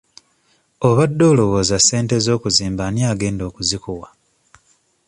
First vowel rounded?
yes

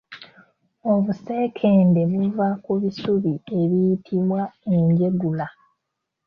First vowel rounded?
yes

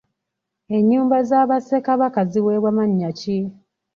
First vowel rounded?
no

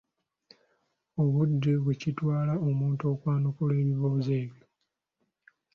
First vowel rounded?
yes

